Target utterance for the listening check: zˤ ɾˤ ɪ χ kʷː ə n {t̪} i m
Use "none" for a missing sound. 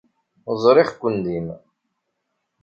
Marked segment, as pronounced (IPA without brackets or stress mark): d̪